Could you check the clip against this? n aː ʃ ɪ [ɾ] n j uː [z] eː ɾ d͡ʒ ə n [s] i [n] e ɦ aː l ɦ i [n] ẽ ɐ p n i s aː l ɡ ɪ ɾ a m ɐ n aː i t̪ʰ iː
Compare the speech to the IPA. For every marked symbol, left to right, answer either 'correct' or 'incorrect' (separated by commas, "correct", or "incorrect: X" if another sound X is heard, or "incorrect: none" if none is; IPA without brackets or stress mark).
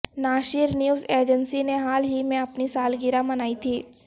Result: correct, correct, correct, correct, incorrect: m